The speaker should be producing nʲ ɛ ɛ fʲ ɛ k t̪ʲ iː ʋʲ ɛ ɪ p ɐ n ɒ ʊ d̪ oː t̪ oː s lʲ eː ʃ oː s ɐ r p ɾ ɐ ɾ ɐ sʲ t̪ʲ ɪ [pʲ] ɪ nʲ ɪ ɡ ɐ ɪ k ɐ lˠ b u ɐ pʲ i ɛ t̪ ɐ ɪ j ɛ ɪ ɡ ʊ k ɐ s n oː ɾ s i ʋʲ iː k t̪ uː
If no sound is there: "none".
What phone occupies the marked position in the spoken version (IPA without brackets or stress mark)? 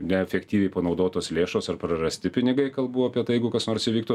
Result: pʲ